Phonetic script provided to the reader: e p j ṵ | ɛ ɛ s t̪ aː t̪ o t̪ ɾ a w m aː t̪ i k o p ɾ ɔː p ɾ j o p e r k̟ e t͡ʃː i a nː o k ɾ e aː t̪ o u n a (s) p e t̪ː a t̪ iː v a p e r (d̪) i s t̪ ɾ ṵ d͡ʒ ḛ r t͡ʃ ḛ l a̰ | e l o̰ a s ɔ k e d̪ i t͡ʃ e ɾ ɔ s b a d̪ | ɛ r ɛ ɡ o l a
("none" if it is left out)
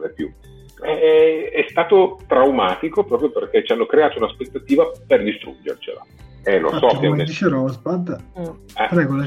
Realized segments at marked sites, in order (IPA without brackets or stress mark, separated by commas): s, d̪